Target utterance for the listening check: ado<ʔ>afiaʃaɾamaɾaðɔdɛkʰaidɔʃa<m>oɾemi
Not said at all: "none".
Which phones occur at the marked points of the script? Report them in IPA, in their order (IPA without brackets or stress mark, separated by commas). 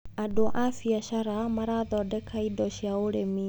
ʔ, none